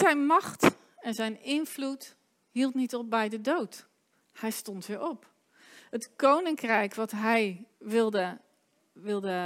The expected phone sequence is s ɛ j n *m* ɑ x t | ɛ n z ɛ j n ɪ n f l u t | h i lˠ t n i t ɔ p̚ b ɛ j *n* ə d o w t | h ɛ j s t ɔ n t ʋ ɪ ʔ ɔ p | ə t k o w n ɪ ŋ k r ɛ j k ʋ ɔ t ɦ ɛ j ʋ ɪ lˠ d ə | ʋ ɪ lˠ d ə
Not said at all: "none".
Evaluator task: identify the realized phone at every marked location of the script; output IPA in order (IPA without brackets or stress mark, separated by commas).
m, d